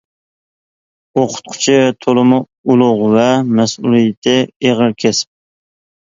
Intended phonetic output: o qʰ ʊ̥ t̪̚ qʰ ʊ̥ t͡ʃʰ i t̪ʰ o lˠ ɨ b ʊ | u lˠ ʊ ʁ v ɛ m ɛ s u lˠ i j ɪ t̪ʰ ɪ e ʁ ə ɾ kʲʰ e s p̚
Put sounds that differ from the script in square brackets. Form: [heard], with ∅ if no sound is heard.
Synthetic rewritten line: o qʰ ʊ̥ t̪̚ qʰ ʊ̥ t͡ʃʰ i t̪ʰ o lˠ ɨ [m] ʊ | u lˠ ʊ ʁ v ɛ m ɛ s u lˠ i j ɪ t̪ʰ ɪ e ʁ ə ɾ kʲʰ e s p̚